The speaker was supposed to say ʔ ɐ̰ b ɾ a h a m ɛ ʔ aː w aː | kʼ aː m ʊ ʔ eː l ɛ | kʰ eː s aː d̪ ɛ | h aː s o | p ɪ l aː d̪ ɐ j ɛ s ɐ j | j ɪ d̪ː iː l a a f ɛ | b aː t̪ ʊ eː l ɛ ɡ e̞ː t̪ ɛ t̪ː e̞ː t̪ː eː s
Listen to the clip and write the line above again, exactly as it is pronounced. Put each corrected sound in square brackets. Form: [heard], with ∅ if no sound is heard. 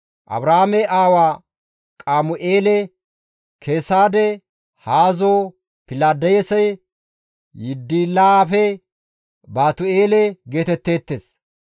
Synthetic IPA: ʔ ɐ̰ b ɾ a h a m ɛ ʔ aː w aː | kʼ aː m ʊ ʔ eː l ɛ | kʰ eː s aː d̪ ɛ | h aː [z] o | p ɪ l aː d̪ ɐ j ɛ s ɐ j | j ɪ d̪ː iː l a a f ɛ | b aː t̪ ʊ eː l ɛ ɡ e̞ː t̪ ɛ t̪ː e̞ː t̪ː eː s